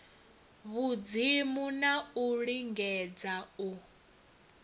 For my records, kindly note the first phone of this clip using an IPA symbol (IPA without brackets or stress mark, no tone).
β